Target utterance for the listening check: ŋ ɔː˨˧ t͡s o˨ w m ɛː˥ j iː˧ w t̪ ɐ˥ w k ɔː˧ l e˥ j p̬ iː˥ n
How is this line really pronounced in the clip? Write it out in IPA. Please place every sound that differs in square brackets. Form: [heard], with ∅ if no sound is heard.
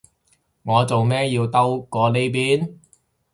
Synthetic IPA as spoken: ŋ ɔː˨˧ t͡s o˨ w m ɛː˥ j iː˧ w t̪ ɐ˥ w k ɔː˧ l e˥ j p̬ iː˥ n